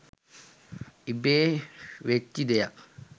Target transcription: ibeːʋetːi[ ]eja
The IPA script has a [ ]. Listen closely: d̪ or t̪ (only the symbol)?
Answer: d̪